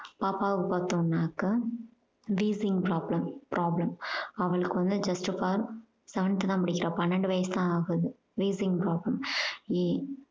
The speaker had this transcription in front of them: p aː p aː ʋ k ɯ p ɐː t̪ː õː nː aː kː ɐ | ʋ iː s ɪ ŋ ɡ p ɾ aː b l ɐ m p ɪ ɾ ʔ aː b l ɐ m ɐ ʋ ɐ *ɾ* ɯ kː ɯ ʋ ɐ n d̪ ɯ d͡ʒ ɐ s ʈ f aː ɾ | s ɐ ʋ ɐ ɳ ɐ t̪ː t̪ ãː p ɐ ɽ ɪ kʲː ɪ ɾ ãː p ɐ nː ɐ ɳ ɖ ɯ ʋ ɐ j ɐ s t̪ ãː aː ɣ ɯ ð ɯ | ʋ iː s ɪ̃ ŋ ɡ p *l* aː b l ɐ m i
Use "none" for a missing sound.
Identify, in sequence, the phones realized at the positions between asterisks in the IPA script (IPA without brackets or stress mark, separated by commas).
ɭ, ɾ